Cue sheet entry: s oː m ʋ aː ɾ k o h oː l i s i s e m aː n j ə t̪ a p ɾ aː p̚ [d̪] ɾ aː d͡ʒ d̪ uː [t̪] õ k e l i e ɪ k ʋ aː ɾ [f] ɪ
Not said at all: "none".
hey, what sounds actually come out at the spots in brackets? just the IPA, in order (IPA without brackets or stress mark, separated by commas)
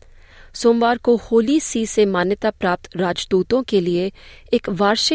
t̪, t̪, ʃ